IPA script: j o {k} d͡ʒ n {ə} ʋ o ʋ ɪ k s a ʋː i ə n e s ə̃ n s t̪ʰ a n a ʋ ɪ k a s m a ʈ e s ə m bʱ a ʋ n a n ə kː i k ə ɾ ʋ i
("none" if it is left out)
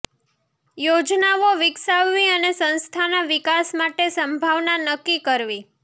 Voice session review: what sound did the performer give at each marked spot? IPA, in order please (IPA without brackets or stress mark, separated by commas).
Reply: none, a